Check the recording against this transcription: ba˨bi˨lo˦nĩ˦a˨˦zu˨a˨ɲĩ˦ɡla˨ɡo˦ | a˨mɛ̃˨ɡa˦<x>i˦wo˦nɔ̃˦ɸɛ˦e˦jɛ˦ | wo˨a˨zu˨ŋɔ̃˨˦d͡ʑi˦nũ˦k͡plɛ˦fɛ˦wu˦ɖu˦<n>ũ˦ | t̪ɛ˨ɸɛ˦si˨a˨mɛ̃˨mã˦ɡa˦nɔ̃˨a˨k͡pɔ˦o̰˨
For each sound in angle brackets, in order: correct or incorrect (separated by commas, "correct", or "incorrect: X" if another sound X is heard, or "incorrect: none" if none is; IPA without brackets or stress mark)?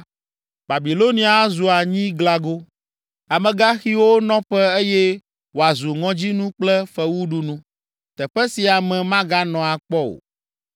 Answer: correct, correct